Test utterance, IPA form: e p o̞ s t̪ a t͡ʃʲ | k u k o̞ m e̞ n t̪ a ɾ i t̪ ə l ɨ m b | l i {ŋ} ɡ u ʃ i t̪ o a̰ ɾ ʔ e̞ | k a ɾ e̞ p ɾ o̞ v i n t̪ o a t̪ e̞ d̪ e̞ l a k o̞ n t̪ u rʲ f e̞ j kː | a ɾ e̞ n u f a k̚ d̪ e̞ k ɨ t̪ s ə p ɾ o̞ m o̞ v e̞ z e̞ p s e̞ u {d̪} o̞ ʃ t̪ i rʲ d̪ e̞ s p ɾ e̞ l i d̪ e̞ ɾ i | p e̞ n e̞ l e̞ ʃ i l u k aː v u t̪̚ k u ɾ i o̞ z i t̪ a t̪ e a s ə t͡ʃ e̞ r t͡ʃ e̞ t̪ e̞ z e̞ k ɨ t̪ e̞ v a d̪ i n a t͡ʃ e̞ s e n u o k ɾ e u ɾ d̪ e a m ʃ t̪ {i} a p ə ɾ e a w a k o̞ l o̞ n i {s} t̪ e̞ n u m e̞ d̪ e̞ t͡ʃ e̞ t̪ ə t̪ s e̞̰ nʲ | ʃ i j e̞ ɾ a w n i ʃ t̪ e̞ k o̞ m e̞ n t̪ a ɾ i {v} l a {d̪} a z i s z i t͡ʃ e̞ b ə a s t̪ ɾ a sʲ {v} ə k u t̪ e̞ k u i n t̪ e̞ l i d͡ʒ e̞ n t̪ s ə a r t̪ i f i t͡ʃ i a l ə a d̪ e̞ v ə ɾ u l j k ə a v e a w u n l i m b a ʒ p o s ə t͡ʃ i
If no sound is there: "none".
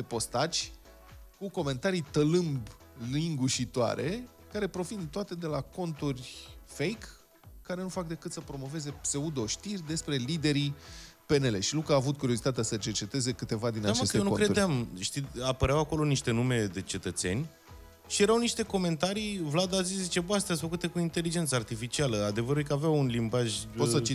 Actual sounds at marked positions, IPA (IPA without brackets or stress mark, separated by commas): ŋ, d̪, i, ʃ, v, d̪, f